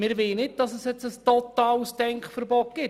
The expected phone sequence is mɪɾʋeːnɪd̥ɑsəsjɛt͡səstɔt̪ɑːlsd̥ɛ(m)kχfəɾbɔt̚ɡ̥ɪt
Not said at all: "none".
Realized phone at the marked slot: ŋ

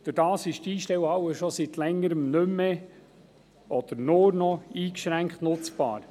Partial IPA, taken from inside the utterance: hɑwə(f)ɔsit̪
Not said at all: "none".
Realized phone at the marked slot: ʃ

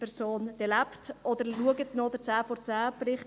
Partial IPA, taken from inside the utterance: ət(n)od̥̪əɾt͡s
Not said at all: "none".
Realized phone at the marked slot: n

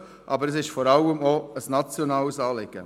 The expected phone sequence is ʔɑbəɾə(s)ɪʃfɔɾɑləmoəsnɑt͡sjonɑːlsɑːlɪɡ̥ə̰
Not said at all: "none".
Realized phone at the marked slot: s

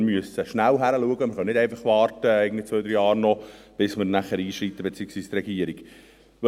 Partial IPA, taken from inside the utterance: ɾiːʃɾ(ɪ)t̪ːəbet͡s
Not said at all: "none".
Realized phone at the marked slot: i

